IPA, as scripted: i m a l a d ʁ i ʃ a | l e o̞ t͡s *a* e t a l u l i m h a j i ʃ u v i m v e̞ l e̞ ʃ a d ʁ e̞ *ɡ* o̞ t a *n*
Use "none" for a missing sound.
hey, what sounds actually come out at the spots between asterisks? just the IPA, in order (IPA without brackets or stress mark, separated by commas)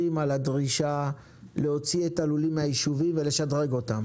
i, ɡ, m